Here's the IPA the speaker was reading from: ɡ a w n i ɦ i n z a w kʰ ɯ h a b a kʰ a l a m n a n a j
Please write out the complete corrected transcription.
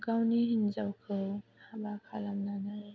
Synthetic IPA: ɡ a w n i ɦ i n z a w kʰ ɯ h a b a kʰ a l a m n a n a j